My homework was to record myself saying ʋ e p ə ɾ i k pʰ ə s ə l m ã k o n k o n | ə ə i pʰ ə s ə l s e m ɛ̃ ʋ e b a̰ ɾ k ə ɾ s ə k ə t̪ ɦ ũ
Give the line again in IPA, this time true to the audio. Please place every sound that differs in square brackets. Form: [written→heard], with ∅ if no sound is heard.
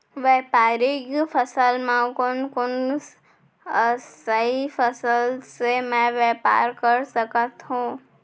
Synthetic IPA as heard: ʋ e p [ə→a] ɾ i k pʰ ə s ə l m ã k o n k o n | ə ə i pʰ ə s ə l s e m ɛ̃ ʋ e [b→p] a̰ ɾ k ə ɾ s ə k ə t̪ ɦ ũ